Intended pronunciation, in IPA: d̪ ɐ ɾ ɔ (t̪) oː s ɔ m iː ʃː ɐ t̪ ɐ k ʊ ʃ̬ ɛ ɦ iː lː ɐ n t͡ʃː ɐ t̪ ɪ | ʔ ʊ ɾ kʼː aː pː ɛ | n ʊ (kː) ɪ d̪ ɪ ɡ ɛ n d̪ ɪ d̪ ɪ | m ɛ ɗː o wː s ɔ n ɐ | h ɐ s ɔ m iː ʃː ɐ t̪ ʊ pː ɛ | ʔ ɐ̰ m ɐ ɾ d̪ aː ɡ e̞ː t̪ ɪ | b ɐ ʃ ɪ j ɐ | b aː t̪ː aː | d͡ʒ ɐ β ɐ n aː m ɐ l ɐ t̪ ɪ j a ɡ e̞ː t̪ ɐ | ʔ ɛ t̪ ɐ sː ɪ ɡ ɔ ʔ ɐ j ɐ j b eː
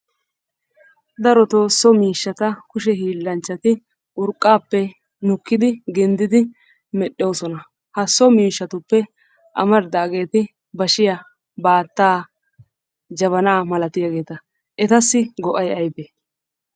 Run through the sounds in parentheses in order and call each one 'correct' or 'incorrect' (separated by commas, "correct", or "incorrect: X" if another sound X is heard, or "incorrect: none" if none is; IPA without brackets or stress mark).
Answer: correct, correct